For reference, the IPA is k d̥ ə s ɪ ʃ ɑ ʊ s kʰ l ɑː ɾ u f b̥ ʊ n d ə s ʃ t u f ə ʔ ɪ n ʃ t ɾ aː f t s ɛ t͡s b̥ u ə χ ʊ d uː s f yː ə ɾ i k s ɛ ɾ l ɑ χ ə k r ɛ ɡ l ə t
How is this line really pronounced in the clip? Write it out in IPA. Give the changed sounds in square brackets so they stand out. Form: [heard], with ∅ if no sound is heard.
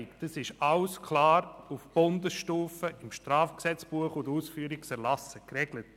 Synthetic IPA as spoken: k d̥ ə s ɪ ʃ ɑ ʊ s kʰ l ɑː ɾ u f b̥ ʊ n d ə s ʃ t [uː] f ə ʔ ɪ [m] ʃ t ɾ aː f [k] s ɛ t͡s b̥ u ə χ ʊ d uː s f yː ə ɾ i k s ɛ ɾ l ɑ [s] ə k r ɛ ɡ l ə t